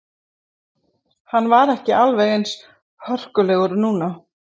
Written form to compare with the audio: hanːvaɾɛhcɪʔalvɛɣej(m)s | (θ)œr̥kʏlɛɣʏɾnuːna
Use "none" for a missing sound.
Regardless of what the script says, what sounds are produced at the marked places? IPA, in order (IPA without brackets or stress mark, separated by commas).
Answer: n, h